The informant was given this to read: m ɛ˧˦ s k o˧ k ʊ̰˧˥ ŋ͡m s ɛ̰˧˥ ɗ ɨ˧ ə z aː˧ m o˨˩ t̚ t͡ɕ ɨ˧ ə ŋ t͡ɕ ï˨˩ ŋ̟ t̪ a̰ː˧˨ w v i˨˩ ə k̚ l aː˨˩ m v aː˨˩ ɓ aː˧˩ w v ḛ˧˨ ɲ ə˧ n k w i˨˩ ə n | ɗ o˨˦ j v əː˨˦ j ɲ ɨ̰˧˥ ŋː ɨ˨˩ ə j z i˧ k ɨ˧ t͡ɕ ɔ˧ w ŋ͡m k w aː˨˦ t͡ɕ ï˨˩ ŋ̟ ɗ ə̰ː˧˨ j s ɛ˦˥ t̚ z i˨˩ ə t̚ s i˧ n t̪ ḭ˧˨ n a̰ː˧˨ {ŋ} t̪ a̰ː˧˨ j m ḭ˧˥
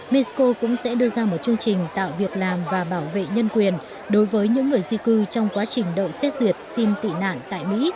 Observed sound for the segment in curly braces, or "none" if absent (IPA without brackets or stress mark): n